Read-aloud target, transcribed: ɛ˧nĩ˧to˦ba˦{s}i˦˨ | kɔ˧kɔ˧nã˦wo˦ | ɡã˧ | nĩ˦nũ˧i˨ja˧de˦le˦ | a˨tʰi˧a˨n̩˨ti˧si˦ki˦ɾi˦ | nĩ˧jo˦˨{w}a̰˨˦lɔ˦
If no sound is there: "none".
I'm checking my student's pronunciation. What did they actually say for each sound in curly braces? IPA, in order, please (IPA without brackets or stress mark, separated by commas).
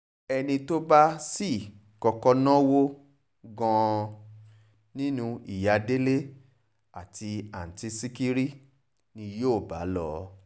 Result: s, b